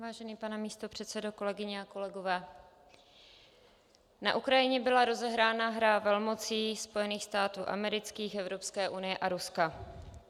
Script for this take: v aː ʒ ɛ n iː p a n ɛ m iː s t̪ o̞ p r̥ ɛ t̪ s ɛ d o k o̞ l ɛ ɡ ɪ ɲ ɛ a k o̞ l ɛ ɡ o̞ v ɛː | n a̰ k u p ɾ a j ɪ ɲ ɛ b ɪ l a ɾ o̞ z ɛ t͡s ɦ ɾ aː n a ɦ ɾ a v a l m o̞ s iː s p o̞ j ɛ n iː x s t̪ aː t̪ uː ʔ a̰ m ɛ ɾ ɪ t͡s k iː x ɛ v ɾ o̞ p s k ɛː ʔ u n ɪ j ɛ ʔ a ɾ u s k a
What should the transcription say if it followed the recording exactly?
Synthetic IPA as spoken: v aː ʒ ɛ n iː p a n ɛ m iː s t̪ o̞ p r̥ ɛ t̪ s ɛ d o k o̞ l ɛ ɡ ɪ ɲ ɛ a k o̞ l ɛ ɡ o̞ v ɛː | n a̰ ʔ u k ɾ a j ɪ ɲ ɛ b ɪ l a ɾ o̞ z ɛ ɦ ɾ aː n a ɦ ɾ a v ɛ l m o̞ t͡s iː s p o̞ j ɛ n iː x s t̪ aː t̪ uː ʔ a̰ m ɛ ɾ ɪ t͡s k iː x ɛ v ɾ o̞ p s k ɛː ʔ u n ɪ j ɛ ʔ a ɾ u s k a